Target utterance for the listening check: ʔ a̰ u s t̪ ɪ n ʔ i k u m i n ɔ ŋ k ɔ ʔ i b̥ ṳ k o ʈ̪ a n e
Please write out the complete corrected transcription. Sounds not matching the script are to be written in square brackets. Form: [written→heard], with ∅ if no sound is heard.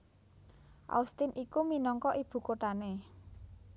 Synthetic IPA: ʔ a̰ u s t̪ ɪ n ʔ i k u m i n ɔ ŋ k ɔ ʔ i b̥ ṳ k o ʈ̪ a n e